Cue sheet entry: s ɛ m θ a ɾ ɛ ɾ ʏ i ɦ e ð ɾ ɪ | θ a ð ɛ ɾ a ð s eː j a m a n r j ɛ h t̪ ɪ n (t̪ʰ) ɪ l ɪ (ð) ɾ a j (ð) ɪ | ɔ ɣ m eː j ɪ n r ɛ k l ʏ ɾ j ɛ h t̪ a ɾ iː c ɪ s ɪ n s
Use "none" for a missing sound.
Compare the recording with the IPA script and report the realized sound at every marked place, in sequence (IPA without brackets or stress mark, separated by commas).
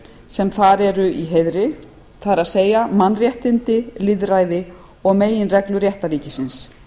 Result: t̪, ð, ð